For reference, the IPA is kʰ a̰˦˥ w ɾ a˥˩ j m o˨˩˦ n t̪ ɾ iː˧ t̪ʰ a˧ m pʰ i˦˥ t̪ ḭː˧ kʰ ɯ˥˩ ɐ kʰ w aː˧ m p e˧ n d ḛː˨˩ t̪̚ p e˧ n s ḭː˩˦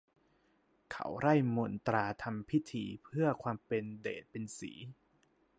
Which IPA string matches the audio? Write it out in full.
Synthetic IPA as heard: kʰ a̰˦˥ w ɾ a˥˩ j m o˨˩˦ n t̪ ɾ aː˧ t̪ʰ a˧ m pʰ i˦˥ t̪ʰ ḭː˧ pʰ ɯ˥˩ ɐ kʰ w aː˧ m p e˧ n d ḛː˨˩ t̪̚ p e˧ n s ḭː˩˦